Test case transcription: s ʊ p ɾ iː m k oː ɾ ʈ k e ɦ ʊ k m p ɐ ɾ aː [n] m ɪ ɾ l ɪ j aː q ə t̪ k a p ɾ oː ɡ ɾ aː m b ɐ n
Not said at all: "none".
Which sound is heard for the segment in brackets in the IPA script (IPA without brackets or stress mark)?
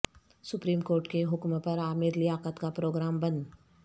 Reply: none